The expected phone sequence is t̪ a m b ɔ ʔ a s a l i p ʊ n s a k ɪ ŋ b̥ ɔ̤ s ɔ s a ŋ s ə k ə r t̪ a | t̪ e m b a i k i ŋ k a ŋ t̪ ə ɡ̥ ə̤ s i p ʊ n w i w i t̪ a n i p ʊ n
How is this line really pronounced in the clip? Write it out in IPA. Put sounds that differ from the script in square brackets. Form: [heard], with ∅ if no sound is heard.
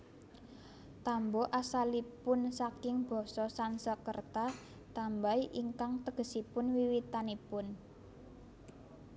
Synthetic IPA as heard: t̪ a m b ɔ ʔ a s a l i p ʊ n s a k ɪ ŋ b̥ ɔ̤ s ɔ s a [n] s ə k ə r t̪ a | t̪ [a] m b a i [ʔ] i ŋ k a ŋ t̪ ə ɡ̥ ə̤ s i p ʊ n w i w i t̪ a n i p ʊ n